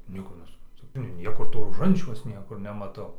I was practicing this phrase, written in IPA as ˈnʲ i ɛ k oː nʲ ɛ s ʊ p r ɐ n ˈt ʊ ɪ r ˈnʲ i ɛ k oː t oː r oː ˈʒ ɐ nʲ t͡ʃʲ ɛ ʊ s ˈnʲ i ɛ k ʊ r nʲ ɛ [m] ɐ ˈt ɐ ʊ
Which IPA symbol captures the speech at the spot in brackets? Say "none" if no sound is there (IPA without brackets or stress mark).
m